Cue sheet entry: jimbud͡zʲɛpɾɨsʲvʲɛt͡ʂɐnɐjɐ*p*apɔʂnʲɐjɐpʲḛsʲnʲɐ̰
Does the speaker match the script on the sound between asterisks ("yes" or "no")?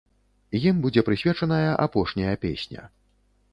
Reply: no